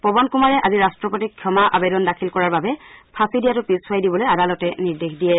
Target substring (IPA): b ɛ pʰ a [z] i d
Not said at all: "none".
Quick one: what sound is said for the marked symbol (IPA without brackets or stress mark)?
s